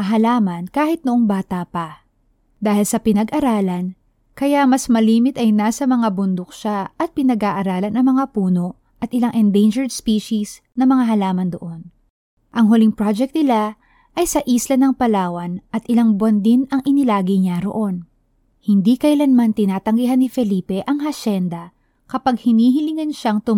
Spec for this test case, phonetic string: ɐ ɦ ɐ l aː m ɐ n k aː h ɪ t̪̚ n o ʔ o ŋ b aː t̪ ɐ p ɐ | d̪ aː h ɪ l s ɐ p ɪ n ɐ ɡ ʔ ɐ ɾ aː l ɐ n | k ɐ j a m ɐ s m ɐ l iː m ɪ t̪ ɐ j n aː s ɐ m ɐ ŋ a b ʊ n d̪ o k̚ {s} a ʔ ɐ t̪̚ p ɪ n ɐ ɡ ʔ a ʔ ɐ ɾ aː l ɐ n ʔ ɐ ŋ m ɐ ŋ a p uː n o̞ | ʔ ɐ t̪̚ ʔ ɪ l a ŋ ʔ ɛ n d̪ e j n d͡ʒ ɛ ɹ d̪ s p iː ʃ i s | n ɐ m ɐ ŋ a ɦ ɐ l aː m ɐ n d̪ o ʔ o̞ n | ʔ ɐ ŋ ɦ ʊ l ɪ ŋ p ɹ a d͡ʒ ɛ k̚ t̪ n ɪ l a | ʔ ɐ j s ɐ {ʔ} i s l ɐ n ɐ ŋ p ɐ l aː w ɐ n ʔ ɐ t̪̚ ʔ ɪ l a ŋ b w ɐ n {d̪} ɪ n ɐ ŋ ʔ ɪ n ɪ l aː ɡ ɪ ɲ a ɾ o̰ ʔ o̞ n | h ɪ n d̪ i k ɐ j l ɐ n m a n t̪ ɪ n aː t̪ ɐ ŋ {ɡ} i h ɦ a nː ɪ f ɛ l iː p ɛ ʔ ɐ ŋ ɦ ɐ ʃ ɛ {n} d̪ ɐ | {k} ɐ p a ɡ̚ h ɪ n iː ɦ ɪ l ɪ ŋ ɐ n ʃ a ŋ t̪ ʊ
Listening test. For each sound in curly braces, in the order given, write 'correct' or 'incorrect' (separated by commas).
incorrect, correct, correct, correct, correct, correct